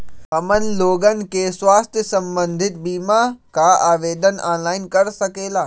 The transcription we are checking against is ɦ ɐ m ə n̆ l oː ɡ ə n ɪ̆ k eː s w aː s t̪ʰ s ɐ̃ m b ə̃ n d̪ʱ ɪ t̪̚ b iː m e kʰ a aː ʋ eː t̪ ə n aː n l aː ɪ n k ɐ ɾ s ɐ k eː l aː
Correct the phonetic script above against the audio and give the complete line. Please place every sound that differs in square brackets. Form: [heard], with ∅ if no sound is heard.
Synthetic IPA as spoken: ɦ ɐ m ə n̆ l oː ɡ ə n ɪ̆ k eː s w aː s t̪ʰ s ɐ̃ m b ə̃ n d̪ʱ ɪ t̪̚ b iː m [a] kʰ a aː ʋ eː [d̪] ə n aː n l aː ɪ n k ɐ ɾ s ɐ k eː l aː